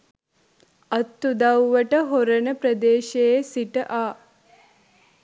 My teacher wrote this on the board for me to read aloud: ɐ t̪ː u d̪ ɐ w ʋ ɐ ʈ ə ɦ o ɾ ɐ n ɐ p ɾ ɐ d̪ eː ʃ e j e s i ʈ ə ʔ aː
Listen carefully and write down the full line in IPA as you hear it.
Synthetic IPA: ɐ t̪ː u d̪ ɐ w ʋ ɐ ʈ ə ɦ o ɾ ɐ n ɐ p ɾ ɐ d̪ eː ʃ e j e s i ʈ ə ʔ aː